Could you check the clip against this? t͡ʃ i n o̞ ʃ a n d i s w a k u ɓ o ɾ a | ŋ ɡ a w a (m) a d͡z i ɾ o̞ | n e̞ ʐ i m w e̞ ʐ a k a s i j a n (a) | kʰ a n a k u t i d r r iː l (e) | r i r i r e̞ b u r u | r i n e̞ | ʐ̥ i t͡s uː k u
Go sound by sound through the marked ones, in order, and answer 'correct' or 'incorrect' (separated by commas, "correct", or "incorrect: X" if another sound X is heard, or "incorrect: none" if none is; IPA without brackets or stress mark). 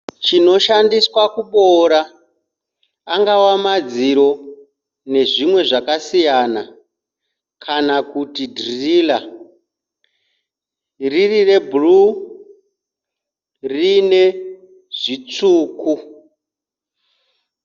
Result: correct, correct, incorrect: a